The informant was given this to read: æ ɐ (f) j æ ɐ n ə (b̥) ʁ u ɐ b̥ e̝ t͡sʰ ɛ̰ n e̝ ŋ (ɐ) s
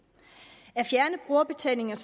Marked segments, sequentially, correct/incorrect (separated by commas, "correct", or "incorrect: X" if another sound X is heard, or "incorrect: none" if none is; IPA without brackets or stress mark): correct, correct, correct